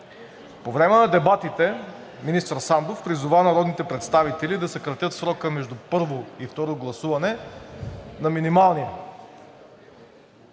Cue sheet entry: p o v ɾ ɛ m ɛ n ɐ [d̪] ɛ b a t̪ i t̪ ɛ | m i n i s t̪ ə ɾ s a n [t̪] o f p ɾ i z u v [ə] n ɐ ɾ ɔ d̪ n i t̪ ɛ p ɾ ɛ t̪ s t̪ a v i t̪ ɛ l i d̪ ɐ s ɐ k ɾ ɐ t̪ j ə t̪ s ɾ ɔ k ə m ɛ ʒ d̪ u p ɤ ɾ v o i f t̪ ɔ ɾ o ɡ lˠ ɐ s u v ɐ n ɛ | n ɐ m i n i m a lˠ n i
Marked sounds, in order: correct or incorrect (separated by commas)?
correct, incorrect, incorrect